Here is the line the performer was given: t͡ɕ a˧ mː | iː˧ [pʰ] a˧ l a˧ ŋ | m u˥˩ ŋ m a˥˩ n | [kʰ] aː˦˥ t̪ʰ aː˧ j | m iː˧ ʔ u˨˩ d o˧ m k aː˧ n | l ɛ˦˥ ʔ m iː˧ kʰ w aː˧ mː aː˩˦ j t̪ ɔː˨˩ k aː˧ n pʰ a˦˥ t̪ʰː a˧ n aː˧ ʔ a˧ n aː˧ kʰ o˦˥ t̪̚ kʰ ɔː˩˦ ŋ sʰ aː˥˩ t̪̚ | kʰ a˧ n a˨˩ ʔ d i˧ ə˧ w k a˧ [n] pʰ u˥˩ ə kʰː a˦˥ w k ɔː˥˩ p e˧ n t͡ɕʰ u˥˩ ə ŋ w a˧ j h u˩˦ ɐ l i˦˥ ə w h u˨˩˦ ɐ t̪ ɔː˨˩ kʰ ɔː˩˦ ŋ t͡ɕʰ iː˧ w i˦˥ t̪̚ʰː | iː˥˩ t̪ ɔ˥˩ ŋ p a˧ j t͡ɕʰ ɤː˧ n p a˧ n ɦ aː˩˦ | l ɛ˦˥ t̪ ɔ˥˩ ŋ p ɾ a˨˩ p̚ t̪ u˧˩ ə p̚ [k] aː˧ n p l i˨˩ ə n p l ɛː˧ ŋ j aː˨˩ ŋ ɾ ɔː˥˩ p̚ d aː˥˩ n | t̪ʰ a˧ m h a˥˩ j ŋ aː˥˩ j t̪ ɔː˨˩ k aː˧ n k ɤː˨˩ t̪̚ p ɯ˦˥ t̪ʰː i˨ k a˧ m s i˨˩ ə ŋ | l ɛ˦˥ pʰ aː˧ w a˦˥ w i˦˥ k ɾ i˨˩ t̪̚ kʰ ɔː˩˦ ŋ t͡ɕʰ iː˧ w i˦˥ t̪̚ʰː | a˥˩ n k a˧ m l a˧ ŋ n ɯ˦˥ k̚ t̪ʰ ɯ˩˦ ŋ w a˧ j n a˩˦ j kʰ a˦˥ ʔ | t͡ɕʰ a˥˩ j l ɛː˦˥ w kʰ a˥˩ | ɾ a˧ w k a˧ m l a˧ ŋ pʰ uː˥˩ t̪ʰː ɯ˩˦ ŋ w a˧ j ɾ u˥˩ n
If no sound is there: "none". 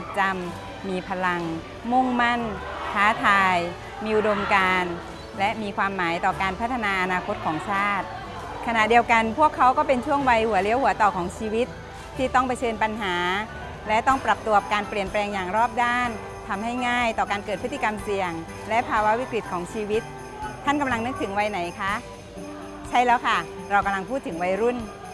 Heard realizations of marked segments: pʰ, kʰ, n, k

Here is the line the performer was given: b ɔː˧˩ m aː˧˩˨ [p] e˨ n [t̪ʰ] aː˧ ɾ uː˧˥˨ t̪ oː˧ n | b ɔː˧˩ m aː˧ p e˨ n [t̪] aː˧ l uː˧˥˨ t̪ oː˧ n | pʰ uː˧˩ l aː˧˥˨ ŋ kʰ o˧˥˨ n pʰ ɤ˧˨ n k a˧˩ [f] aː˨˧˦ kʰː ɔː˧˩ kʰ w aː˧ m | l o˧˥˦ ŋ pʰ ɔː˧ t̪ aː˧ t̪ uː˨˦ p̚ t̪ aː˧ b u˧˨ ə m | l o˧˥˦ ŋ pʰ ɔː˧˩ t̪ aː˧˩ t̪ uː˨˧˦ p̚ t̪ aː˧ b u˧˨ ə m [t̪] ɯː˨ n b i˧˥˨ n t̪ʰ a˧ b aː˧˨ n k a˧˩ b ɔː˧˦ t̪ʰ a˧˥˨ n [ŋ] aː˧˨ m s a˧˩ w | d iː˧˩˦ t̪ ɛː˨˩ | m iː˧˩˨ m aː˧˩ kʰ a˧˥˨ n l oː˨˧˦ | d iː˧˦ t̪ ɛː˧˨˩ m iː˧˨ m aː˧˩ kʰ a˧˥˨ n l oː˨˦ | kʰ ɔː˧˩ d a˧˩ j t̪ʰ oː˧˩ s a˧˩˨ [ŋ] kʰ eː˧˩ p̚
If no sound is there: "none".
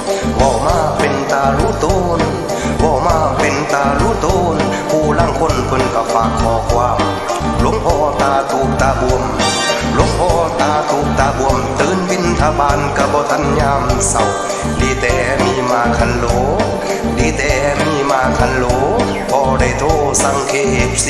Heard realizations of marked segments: p, t̪, t̪, f, t̪, ɲ, ŋ

